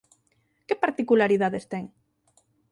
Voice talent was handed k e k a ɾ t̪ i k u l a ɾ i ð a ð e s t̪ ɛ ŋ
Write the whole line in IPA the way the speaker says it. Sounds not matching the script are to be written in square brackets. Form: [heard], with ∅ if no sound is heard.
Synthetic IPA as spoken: k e [p] a ɾ t̪ i k u l a ɾ i ð a ð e s t̪ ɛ ŋ